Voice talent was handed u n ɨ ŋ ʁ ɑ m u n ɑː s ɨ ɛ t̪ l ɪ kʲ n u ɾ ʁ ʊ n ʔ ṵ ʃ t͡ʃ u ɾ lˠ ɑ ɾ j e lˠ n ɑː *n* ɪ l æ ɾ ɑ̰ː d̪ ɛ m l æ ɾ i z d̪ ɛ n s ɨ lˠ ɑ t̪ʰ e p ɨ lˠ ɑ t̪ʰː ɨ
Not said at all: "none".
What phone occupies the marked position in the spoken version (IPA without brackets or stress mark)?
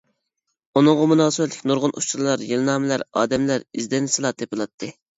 m